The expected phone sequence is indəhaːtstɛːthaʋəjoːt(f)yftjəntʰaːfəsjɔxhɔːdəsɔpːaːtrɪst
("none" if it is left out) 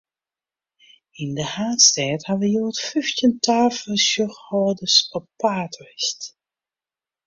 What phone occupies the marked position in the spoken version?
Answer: f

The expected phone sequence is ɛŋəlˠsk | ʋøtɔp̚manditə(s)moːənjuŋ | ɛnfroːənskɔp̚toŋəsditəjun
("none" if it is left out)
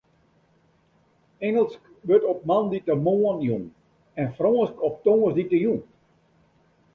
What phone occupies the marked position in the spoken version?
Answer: none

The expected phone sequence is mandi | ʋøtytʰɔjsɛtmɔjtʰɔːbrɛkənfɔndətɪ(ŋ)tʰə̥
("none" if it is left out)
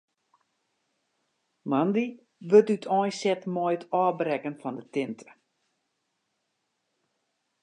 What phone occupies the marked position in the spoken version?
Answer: n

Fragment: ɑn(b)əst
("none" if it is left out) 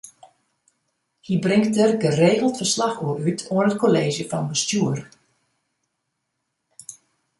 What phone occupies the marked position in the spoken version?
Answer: b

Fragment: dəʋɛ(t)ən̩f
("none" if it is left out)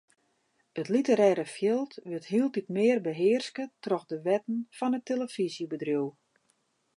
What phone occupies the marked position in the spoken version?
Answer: t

